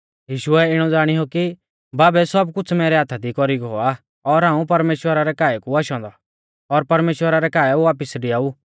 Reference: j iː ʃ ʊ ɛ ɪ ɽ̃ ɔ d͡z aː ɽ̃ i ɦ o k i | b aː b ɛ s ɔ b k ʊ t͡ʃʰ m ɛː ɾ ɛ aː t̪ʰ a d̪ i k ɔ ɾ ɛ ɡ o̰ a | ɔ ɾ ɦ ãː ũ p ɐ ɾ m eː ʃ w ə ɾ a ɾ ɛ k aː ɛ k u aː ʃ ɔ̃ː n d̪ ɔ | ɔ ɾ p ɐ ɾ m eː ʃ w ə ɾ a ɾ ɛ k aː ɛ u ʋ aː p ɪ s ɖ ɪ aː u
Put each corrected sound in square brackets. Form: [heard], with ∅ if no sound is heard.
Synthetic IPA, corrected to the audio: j iː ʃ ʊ ɛ ɪ ɽ̃ ɔ d͡z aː ɽ̃ i ɦ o k i | b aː b ɛ s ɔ b k ʊ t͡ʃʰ m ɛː ɾ ɛ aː t̪ʰ a d̪ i k ɔ ɾ [i] ɡ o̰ a | ɔ ɾ ɦ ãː ũ p ɐ ɾ m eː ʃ w ə ɾ a ɾ ɛ k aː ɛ k u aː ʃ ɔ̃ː n d̪ ɔ | ɔ ɾ p ɐ ɾ m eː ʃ w ə ɾ a ɾ ɛ k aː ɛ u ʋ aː p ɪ s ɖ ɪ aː u